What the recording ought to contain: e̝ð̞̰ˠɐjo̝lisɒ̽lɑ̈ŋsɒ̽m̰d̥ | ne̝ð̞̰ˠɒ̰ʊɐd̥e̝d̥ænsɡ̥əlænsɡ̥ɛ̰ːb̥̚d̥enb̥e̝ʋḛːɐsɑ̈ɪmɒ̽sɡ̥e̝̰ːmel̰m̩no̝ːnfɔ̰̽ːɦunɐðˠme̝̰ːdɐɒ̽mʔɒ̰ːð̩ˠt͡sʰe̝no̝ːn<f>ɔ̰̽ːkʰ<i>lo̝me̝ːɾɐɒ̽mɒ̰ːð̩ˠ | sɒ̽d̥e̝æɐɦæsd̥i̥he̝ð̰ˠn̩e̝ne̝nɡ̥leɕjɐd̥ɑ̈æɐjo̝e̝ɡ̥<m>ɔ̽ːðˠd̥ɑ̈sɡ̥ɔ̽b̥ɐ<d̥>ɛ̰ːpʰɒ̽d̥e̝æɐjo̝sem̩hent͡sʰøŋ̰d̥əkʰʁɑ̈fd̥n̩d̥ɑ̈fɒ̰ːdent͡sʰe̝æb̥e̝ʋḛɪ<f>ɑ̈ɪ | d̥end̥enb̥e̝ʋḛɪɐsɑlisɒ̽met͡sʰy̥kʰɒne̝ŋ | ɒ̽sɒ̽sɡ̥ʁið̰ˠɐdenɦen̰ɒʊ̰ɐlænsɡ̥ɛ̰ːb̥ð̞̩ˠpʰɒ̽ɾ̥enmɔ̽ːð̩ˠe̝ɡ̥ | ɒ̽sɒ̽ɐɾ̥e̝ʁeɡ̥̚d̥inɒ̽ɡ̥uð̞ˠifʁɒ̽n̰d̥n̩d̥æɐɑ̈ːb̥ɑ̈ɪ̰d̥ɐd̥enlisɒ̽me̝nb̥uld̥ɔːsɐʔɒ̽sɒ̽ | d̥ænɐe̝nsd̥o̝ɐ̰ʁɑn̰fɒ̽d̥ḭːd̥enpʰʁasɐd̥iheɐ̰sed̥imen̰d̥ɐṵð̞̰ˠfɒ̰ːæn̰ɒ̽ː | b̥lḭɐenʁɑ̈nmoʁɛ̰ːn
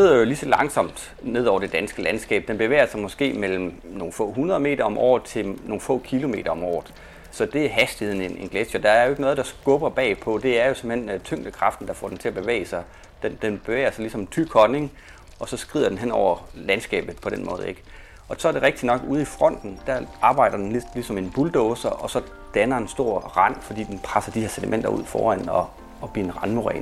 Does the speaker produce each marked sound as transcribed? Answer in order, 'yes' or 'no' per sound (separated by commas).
yes, yes, no, no, no